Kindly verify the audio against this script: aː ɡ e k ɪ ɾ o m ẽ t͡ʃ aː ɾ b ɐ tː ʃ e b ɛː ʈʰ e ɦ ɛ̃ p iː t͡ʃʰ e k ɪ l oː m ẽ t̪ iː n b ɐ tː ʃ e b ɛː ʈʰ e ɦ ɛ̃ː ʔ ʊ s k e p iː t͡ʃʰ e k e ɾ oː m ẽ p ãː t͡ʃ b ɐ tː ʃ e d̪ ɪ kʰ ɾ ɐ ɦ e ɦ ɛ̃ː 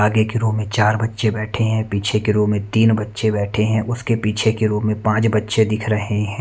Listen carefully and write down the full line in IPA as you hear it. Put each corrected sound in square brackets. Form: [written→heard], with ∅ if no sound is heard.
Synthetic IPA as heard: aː ɡ e k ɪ ɾ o m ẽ t͡ʃ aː ɾ b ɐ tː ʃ e b ɛː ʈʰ e ɦ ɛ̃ p iː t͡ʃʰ e k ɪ [l→ɾ] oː m ẽ t̪ iː n b ɐ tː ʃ e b ɛː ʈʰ e ɦ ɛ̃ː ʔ ʊ s k e p iː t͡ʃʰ e k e ɾ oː m ẽ p ãː t͡ʃ b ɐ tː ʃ e d̪ ɪ kʰ ɾ ɐ ɦ e ɦ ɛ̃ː